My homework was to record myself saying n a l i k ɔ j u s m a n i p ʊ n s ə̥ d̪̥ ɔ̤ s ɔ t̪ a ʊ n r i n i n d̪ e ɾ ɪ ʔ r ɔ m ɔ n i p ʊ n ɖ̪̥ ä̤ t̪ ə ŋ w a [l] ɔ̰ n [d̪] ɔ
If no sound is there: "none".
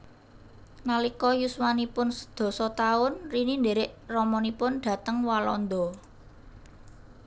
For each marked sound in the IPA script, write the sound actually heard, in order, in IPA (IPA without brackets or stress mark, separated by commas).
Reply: l, d̪